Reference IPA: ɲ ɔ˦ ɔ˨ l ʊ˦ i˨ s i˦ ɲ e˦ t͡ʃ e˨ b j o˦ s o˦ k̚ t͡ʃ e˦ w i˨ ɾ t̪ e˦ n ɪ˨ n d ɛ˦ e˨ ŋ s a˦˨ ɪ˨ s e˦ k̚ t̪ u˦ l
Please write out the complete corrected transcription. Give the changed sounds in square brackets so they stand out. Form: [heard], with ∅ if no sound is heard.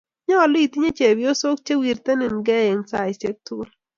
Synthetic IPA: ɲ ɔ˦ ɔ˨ l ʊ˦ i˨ [t] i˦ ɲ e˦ t͡ʃ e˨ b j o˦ s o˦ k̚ t͡ʃ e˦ w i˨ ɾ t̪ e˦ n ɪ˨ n [ɡ] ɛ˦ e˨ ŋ s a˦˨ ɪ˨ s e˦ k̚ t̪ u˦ l